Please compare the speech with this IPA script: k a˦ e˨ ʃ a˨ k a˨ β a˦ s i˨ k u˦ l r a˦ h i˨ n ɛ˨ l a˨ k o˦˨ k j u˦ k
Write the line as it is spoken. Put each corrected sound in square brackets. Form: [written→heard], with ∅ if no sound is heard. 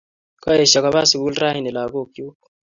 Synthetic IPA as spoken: k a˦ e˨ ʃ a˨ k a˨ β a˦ s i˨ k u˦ l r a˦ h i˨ n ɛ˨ l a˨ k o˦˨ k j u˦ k